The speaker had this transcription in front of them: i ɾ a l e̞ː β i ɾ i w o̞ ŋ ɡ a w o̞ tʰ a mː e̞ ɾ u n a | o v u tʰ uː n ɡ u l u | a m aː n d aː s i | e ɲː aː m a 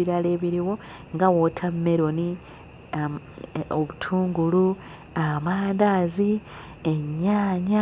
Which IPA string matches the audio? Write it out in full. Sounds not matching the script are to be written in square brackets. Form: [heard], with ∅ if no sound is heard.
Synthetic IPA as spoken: i ɾ a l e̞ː β i ɾ i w o̞ ŋ ɡ a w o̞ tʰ a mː e̞ ɾ [o] n [i] | o [β] u tʰ uː [ŋ] ɡ u l u | a m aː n d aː [z] i | e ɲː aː [ɲ] a